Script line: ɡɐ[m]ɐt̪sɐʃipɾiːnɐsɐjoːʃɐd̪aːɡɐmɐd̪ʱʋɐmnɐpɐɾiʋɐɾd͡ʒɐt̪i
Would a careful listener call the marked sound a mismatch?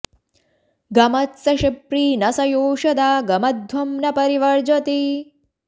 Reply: no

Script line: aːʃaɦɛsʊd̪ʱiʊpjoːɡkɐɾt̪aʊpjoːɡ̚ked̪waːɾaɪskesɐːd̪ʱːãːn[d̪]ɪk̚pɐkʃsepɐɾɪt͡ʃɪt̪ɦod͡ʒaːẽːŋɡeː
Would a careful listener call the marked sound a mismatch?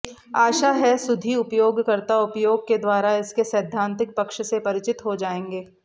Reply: yes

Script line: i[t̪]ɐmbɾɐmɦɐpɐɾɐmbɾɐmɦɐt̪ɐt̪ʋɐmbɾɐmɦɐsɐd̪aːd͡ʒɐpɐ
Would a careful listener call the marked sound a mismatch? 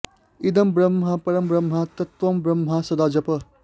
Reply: yes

